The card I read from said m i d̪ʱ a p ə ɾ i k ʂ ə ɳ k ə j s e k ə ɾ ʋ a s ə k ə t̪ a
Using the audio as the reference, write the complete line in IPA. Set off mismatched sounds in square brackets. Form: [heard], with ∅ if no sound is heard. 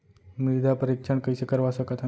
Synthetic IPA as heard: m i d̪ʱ a p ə ɾ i k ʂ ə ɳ k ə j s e k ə ɾ ʋ a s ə k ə t̪ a